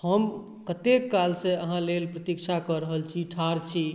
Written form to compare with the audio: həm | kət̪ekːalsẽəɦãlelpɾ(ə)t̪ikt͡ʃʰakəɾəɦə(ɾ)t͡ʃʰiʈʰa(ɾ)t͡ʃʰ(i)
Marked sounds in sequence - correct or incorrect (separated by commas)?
correct, incorrect, correct, correct